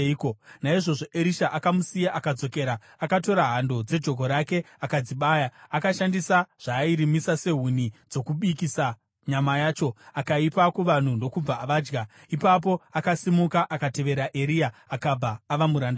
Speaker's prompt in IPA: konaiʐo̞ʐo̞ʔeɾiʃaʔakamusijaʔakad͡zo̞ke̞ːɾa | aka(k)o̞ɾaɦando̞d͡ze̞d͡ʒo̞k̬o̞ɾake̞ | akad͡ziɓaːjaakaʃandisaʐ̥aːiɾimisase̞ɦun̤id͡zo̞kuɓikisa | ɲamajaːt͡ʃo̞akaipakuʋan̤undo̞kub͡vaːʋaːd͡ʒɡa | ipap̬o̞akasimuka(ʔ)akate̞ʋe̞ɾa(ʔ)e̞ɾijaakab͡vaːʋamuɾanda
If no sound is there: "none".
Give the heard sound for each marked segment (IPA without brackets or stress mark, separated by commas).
t, ʔ, ʔ